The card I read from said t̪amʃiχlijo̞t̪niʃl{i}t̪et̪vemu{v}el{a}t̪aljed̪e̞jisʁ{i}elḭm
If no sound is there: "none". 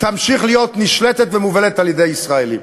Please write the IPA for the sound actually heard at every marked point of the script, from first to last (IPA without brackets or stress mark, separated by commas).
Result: e, v, e, a